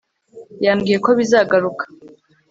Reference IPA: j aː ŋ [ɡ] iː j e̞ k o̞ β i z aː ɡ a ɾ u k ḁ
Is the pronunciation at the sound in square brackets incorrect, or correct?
correct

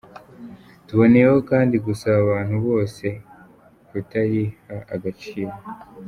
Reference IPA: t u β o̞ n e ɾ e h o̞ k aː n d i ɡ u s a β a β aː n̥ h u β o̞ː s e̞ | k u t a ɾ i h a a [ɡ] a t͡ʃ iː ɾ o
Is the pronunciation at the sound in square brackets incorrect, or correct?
correct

